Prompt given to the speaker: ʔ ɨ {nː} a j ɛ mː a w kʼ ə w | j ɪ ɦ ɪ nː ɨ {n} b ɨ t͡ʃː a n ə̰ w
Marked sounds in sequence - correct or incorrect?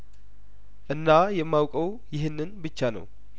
correct, correct

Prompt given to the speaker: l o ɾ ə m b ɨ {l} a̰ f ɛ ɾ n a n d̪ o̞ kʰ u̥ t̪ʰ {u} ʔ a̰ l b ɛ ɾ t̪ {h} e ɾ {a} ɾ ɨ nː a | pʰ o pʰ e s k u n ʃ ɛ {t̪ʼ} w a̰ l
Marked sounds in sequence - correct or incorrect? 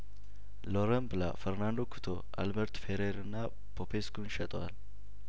correct, incorrect, incorrect, incorrect, correct

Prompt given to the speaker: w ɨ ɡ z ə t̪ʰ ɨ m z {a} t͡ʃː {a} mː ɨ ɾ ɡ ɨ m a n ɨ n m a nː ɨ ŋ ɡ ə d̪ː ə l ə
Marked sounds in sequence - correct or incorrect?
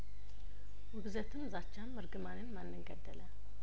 correct, correct

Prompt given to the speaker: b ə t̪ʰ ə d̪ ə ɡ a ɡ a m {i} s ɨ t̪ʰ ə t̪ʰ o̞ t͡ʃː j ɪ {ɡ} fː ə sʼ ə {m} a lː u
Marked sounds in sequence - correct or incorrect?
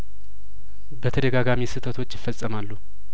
correct, incorrect, correct

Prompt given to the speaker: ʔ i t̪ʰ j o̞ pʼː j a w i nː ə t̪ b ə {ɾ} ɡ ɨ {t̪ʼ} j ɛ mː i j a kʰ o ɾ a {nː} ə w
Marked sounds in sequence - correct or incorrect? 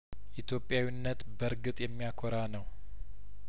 correct, correct, incorrect

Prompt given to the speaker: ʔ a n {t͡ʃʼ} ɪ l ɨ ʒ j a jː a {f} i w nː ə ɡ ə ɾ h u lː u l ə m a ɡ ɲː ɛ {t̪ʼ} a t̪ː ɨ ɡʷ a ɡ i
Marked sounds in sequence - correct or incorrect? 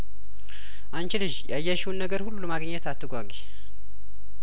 incorrect, incorrect, incorrect

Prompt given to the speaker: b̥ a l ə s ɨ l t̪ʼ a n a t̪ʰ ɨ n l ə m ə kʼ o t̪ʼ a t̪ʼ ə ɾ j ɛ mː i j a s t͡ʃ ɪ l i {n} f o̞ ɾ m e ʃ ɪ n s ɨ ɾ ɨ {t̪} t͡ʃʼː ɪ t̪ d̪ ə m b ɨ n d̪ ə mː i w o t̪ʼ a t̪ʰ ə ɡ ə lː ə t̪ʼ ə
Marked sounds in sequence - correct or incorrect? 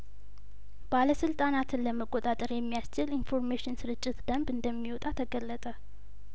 correct, incorrect

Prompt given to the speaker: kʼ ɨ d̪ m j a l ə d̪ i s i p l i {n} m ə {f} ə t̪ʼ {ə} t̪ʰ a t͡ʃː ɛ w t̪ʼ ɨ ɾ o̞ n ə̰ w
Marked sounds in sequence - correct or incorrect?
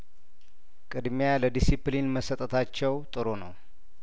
correct, incorrect, correct

